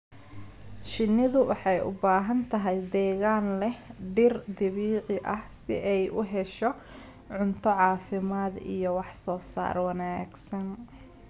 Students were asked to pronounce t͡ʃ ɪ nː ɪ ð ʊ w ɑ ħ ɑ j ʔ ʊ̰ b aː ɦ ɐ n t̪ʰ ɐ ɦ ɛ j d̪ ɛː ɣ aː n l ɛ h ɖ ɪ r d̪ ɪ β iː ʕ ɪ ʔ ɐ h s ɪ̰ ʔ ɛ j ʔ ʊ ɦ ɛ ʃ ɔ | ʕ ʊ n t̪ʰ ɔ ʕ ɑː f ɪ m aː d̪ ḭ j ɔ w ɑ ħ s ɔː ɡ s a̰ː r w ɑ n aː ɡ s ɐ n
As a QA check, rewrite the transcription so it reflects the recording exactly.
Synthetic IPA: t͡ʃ ɪ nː ɪ ð ʊ w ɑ ħ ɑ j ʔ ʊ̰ b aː ɦ ɐ n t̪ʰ ɐ ɦ ɛ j d̪ ɛː ɣ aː n l ɛ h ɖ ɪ r d̪ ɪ β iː ʕ ɪ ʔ ɐ h s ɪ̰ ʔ ɛ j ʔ ʊ ɦ ɛ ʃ ɔ | ʕ ʊ n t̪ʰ ɔ ʕ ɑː f ɪ m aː d̪ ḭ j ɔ w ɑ ħ s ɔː s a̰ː r w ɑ n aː ɡ s ɐ n